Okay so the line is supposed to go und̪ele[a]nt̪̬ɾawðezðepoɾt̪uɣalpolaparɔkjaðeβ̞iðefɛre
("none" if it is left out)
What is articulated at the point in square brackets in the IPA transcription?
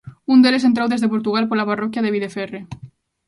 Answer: e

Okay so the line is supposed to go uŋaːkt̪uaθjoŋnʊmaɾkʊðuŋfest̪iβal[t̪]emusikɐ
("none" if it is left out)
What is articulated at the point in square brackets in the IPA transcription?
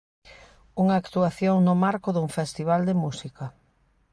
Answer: d̪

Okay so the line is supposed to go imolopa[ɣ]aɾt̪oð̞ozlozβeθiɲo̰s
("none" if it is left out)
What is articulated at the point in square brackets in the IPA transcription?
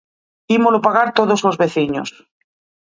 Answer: ɣ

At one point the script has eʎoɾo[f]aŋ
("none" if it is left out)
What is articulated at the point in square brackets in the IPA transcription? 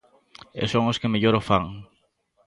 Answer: f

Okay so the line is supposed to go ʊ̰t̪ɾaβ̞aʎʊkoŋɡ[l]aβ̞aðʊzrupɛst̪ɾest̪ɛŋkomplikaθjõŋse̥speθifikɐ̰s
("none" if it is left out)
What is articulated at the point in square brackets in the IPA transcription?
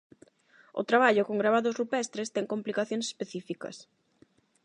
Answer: ɾ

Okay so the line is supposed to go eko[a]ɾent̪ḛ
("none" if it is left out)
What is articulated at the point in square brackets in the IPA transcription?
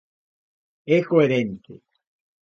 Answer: e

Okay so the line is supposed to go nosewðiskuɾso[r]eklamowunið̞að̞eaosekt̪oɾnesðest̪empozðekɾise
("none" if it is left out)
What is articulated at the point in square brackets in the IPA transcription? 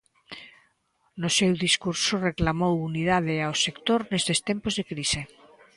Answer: r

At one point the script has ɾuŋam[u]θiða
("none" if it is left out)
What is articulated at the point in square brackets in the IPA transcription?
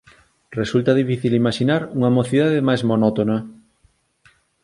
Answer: o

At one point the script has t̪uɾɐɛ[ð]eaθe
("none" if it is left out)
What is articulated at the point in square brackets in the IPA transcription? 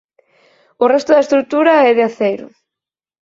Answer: ð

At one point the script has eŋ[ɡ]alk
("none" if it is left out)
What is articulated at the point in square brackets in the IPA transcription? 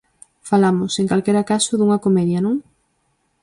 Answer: k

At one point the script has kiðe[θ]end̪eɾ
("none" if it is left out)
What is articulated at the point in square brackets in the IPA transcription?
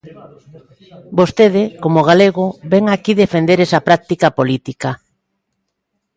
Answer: f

